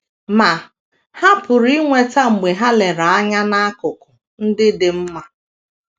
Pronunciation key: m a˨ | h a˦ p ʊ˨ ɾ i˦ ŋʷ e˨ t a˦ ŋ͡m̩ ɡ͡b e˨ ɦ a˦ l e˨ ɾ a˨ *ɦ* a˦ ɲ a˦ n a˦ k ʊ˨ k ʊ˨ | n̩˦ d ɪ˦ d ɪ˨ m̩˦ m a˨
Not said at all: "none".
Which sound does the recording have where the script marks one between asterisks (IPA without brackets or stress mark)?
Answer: none